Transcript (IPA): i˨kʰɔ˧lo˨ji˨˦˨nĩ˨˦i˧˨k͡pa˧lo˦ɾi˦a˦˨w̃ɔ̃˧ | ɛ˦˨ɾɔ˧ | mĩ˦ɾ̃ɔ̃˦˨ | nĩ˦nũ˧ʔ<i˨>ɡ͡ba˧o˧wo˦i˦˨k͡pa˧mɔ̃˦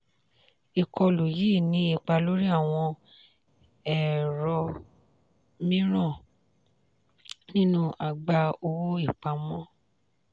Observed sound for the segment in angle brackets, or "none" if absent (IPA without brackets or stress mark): a˨